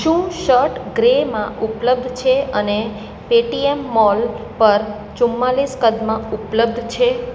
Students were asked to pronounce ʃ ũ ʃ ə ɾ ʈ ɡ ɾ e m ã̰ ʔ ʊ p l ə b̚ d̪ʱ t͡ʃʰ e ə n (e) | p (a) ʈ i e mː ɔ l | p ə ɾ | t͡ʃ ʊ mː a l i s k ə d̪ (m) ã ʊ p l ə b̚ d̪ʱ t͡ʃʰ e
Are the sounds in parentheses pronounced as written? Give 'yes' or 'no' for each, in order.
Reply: yes, no, yes

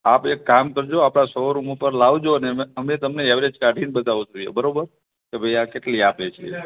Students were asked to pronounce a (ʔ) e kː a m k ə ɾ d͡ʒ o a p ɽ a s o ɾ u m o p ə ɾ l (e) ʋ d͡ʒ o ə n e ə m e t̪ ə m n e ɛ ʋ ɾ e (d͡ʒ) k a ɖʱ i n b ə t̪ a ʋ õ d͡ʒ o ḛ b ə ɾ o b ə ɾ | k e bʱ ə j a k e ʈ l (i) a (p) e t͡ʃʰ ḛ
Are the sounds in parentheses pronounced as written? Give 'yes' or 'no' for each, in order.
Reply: no, no, yes, yes, yes

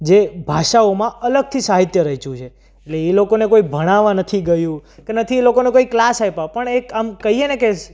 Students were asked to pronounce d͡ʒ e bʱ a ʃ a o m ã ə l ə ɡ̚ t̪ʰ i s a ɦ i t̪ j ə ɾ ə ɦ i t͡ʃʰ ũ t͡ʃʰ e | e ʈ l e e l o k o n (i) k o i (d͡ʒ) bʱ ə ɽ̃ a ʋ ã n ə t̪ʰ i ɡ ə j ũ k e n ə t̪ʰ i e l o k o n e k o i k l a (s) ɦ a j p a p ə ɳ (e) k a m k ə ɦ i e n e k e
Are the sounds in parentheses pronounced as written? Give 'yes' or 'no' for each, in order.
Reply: no, no, yes, yes

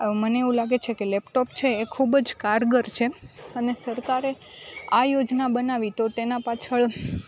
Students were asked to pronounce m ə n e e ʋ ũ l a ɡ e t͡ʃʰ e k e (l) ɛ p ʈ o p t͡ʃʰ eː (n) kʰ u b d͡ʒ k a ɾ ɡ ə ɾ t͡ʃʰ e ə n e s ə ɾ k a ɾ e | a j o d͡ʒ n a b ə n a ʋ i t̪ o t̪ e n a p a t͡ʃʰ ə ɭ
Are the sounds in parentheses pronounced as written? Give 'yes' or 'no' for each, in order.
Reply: yes, no

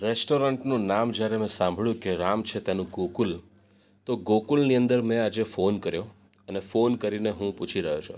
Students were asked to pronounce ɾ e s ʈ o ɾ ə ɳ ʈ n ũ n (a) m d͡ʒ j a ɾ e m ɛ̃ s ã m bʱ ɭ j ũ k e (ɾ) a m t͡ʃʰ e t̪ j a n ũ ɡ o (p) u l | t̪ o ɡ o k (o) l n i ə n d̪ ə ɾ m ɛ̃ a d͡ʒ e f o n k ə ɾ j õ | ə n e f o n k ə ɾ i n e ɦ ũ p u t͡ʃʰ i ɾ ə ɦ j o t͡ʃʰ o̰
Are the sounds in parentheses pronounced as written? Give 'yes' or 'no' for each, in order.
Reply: yes, yes, no, no

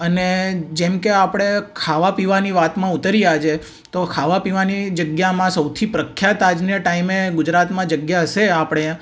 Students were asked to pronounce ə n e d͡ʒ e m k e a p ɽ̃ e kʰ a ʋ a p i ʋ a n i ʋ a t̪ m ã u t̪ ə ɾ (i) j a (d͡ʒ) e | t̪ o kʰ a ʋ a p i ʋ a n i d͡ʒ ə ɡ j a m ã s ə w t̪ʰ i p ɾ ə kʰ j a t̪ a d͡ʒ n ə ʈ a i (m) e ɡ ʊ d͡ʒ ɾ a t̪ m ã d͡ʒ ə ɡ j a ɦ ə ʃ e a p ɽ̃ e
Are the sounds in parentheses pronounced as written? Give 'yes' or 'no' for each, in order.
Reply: yes, yes, yes

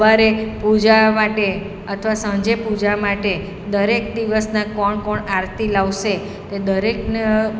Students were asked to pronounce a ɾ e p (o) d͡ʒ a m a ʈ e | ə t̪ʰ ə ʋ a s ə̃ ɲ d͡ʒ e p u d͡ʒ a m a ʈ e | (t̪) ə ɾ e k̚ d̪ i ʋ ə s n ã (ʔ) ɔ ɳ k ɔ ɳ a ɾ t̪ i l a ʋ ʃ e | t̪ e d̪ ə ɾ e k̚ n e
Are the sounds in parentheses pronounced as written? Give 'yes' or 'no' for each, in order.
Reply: no, no, no

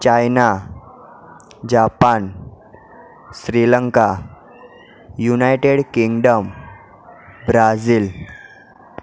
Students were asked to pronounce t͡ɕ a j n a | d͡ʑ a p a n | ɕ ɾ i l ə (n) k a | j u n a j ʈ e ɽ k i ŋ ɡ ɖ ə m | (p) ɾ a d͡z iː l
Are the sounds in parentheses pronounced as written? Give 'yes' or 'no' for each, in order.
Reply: no, no

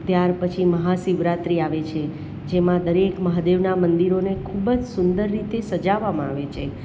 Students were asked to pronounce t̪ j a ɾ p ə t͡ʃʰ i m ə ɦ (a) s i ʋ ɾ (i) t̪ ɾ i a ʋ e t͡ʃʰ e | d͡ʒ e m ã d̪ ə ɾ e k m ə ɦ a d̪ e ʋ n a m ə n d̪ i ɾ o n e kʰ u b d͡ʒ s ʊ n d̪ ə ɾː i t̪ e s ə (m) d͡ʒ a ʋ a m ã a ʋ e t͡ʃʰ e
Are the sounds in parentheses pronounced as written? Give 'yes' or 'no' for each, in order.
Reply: yes, no, no

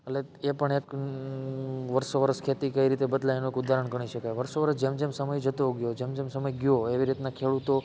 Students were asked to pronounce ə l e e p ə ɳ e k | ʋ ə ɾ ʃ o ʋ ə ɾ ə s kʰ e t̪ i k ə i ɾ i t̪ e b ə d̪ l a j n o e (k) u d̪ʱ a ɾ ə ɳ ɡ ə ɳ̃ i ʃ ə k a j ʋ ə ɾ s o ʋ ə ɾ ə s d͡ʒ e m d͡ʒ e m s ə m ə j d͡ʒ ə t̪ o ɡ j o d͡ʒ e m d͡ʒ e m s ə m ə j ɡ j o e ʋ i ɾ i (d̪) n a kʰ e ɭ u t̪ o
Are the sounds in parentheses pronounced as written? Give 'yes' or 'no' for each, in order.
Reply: yes, no

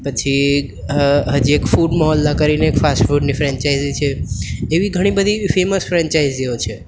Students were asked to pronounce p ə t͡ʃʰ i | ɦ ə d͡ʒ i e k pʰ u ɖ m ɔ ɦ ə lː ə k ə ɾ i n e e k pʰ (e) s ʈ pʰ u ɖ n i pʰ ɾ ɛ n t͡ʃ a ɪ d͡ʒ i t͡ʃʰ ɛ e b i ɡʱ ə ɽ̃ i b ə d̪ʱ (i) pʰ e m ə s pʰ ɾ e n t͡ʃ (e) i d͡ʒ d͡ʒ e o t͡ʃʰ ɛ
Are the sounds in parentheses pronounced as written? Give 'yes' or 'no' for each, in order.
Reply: no, yes, no

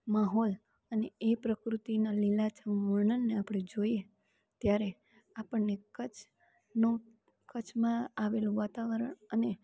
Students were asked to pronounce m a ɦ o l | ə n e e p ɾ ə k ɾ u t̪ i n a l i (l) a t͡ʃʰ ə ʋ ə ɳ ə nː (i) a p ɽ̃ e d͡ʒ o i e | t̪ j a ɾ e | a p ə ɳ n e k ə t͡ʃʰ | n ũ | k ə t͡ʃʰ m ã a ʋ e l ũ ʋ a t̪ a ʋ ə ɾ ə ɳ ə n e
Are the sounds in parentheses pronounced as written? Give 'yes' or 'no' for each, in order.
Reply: yes, no

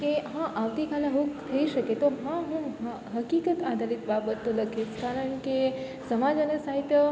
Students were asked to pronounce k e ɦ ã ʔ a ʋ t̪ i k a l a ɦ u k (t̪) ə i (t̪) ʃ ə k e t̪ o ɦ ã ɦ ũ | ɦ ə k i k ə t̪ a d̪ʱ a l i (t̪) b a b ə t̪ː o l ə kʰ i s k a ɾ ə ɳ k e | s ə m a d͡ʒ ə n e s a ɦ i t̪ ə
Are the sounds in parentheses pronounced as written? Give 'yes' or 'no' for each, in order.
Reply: no, no, yes

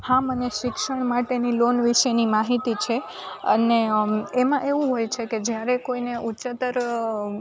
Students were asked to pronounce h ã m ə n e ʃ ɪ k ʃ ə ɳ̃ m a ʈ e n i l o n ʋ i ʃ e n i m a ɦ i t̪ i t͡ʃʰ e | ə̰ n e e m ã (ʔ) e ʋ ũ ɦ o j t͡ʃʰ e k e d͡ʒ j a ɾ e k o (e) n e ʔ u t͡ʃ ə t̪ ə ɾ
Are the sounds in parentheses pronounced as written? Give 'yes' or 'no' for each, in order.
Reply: yes, no

